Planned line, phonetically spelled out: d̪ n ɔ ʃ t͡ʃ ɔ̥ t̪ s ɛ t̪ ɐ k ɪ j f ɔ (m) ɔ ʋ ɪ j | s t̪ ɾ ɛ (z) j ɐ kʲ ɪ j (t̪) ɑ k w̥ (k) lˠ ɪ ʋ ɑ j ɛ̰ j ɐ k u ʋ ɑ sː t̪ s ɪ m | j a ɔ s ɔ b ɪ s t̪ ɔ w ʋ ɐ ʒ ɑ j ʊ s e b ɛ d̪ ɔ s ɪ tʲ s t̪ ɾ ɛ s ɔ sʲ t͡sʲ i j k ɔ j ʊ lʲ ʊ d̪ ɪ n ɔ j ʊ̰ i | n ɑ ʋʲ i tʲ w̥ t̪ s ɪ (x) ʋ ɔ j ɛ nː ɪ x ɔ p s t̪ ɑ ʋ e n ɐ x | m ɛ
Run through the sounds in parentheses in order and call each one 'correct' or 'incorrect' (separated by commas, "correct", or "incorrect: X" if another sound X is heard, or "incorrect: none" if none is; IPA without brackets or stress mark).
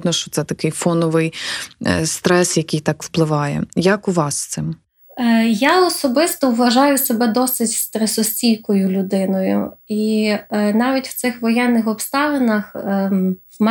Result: incorrect: n, incorrect: s, correct, incorrect: p, correct